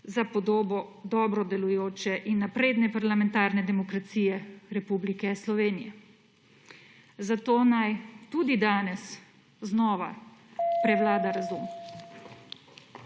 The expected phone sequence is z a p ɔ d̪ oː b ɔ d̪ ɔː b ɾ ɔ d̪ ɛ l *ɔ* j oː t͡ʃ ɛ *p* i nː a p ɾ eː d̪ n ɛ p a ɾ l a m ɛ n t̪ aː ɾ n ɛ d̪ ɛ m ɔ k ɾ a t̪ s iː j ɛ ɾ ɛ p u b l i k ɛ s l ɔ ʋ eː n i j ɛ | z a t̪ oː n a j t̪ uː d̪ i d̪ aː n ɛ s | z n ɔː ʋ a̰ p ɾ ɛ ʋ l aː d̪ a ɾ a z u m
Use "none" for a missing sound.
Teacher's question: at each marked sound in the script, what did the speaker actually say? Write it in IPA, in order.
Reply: u, ʔ

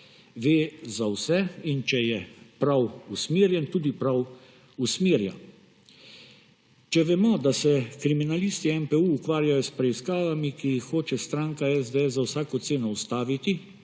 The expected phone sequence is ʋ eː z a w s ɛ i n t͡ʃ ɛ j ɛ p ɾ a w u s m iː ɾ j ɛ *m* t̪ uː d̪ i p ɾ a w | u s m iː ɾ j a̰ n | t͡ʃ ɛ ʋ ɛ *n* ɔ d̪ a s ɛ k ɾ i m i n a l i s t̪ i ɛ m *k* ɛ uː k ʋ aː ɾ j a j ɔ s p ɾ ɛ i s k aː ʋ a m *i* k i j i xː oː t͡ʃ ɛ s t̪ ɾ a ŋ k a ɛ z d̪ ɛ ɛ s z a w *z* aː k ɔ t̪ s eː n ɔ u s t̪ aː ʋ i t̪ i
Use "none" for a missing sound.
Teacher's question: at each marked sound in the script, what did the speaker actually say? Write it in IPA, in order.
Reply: n, m, p, i, s

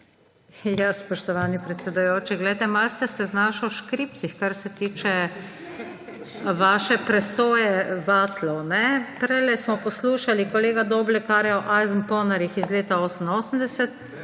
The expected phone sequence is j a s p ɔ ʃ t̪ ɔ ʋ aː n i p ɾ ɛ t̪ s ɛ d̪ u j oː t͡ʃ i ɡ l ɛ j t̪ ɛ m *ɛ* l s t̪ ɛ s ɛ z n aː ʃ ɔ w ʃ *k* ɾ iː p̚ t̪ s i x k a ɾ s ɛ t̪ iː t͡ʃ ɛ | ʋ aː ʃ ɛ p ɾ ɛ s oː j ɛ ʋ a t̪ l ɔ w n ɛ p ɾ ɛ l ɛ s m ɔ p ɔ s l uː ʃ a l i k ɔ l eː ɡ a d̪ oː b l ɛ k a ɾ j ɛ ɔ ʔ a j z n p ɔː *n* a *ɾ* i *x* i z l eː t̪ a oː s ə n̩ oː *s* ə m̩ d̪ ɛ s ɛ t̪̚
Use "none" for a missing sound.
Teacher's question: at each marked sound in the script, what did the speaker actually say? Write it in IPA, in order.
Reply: a, k, n, ɾ, x, s

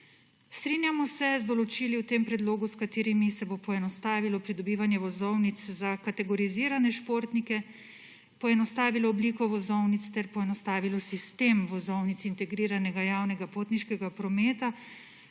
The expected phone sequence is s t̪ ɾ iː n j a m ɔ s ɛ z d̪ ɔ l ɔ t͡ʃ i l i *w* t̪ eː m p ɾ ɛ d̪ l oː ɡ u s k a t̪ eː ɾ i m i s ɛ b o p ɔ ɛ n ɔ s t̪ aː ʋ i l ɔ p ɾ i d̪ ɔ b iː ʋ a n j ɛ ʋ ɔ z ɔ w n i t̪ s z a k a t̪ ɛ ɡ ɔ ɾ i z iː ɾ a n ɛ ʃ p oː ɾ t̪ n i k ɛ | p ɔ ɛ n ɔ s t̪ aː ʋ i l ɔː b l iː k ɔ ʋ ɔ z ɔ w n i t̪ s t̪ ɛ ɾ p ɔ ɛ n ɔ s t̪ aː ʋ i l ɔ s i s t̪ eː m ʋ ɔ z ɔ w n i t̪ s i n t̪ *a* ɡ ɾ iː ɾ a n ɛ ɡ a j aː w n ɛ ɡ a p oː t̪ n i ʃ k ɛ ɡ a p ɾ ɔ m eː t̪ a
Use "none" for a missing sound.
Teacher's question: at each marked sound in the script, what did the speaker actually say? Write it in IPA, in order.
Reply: w, ɛ

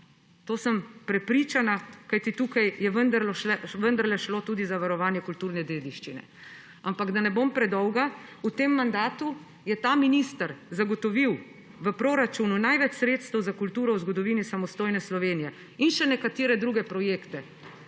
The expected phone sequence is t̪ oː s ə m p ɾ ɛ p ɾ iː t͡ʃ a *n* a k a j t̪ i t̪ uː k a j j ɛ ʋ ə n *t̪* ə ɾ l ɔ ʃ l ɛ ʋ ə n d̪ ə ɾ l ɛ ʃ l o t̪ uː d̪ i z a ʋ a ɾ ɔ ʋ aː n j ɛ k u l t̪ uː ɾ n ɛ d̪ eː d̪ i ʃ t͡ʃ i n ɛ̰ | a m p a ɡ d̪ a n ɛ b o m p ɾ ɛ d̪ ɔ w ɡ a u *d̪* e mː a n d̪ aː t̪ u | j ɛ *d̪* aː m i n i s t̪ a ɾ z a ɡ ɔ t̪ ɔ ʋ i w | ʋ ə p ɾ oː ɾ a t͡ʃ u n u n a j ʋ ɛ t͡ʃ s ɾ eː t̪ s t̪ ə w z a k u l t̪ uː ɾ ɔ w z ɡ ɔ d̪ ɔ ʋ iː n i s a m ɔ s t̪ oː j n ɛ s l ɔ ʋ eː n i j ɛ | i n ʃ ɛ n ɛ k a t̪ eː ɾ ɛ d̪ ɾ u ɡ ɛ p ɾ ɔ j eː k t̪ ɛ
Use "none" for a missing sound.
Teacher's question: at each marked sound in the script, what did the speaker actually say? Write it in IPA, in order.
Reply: n, d̪, t̪, t̪

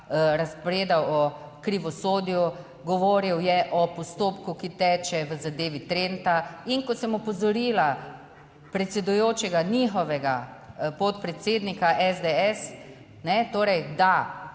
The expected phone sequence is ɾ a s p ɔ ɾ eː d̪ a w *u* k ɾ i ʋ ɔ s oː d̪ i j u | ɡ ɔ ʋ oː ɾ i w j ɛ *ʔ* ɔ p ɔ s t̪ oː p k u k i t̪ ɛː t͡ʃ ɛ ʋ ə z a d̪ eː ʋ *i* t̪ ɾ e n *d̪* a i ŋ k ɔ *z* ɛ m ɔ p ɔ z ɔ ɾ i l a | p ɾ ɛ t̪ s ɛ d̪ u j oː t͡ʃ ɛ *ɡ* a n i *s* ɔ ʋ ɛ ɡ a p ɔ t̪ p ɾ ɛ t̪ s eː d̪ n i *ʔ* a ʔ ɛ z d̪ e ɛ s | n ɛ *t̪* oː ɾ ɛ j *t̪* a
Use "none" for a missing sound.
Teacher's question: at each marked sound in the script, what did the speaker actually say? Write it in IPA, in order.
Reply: ɔ, ʔ, i, t̪, s, ɡ, x, k, t̪, d̪

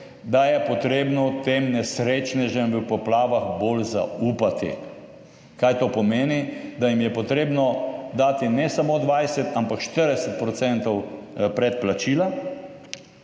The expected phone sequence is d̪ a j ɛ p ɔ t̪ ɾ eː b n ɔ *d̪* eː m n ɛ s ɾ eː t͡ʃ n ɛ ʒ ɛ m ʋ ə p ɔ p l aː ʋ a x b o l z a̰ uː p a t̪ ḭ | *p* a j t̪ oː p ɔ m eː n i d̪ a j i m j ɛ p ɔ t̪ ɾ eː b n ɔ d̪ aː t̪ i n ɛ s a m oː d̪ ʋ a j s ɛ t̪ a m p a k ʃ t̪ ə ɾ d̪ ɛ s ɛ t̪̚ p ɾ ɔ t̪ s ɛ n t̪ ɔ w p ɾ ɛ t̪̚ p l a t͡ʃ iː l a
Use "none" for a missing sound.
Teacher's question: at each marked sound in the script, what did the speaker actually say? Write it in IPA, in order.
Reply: t̪, k

